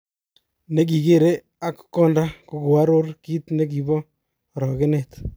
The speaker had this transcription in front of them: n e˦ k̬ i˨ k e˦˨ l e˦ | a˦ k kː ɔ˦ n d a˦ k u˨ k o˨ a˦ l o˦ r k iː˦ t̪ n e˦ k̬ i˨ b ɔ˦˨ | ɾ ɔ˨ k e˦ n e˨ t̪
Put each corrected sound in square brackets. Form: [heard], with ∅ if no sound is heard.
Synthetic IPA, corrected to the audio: n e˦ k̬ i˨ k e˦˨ [ɾ] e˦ | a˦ k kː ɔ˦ n d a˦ k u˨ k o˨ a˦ [ɾ] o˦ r k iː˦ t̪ n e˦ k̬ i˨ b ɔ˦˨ | ɾ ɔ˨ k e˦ n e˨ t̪